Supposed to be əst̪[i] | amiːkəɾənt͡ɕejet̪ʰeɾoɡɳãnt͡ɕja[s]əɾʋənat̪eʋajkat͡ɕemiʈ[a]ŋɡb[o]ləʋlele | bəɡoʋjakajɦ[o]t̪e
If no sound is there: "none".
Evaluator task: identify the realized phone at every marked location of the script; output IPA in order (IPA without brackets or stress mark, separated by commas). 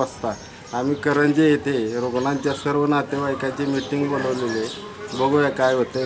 a, s, i, o, o